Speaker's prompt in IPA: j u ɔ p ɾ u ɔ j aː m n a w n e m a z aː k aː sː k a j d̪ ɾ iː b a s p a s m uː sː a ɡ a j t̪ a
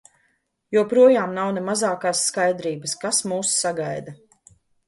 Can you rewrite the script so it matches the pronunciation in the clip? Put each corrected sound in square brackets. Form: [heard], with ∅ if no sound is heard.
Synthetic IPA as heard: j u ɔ p ɾ u ɔ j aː m n a w n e m a z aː k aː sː k a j d̪ ɾ iː b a s [k] a s m uː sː a ɡ a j [d̪] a